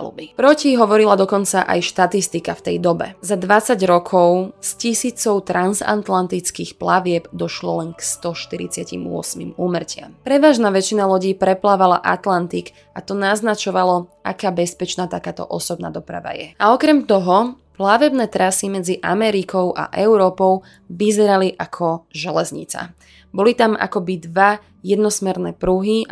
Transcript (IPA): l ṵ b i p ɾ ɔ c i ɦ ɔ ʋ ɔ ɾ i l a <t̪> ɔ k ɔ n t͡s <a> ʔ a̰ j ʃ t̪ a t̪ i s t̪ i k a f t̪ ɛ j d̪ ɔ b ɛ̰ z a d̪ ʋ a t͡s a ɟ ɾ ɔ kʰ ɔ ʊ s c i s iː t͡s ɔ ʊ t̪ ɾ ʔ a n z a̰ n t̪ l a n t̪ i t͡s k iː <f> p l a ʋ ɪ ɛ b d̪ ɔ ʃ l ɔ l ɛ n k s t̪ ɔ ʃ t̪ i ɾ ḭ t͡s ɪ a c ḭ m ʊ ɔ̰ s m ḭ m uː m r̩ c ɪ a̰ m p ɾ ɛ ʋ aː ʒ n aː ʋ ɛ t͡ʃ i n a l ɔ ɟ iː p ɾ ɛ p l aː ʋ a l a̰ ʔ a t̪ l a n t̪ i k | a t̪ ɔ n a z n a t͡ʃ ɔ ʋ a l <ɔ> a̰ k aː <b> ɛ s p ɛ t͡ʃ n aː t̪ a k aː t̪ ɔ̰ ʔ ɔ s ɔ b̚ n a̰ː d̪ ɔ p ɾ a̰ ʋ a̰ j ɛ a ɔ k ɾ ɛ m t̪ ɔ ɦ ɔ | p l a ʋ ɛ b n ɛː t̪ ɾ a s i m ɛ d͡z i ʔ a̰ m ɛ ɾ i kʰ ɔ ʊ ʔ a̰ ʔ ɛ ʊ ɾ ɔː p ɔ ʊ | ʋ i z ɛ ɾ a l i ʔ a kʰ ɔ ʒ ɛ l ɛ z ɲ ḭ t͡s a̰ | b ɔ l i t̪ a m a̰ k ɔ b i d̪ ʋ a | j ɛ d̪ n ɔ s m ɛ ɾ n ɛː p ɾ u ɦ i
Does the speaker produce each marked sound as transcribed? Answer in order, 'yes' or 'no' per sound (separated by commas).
no, yes, no, yes, yes